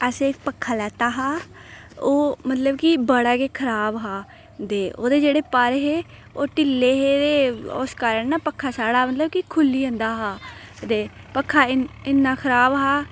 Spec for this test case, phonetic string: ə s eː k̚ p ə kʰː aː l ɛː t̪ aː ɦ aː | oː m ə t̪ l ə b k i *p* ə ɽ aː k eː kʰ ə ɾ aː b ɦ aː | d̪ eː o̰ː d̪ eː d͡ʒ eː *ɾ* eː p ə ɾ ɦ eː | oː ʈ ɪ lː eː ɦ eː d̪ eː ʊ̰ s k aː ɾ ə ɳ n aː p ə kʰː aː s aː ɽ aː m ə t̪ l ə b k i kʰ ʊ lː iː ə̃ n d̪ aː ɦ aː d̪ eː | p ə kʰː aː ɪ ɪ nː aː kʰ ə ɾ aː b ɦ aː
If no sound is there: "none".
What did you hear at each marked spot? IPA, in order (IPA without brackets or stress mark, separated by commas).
b, ɽ